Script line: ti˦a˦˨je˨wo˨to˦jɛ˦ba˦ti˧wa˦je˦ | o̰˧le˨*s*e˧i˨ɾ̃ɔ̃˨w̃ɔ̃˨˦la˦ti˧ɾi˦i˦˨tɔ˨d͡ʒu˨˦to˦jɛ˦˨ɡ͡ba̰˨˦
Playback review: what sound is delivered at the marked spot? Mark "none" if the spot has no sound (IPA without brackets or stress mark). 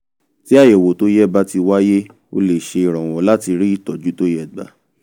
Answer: ʃ